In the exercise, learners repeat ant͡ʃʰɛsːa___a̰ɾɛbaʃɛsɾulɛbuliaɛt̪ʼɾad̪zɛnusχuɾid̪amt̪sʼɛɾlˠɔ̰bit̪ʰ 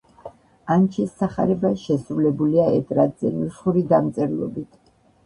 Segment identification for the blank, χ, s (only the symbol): χ